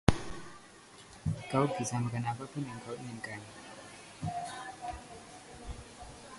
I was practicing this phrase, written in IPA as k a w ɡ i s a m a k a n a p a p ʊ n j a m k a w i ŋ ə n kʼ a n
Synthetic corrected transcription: k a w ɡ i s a m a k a n a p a p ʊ n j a ŋ k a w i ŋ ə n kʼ a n